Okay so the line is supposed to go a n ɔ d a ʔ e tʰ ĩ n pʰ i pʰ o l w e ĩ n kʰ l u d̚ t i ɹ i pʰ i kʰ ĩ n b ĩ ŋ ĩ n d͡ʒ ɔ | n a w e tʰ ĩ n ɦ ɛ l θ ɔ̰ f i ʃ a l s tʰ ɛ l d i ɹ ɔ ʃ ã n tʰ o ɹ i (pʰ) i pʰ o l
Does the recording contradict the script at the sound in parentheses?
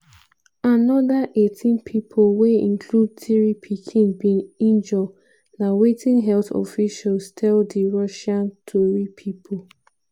no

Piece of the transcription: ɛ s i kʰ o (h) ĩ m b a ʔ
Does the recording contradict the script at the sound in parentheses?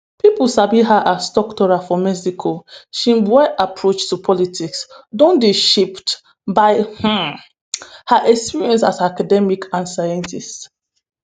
yes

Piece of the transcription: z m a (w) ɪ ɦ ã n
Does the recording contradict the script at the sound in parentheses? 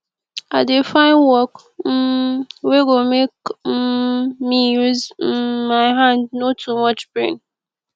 yes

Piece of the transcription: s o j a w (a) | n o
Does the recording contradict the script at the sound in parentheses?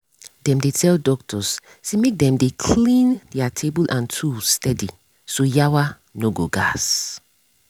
no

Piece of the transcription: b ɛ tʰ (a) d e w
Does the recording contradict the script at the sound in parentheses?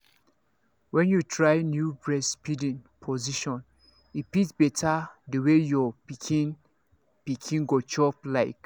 no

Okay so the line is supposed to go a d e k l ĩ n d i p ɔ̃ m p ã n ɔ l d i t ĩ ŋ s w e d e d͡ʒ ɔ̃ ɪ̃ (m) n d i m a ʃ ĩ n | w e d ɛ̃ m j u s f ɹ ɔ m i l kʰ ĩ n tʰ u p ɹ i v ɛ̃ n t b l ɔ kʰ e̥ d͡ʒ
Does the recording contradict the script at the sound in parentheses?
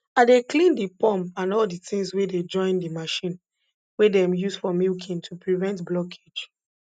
yes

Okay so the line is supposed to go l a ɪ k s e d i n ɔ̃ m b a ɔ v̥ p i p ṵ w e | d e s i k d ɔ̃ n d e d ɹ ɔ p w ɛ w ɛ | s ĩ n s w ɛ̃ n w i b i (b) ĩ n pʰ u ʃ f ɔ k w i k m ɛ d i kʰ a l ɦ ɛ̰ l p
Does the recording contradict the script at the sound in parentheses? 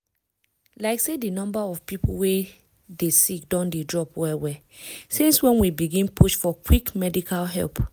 yes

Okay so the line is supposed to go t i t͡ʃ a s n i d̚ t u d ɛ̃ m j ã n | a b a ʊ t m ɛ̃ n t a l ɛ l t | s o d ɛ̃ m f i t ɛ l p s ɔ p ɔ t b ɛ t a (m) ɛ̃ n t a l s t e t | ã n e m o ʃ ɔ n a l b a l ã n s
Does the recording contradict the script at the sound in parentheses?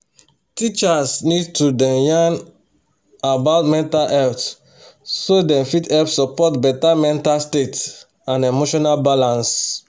no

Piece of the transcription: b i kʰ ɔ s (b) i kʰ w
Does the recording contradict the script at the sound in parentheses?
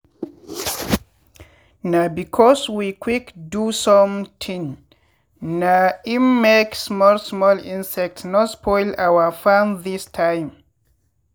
yes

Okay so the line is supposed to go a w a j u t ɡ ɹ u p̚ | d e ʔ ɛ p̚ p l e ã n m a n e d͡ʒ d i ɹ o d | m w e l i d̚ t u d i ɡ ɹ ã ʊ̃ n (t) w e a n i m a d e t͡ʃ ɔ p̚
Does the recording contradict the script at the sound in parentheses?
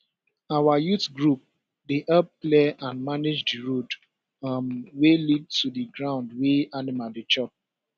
yes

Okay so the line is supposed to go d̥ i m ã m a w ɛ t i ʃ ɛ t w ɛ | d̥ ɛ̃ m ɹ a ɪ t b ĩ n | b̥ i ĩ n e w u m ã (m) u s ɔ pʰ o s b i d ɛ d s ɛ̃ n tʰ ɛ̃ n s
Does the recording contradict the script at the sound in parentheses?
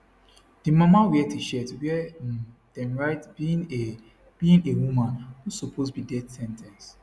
yes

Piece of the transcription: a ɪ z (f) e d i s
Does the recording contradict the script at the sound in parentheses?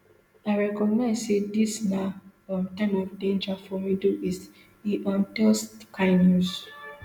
yes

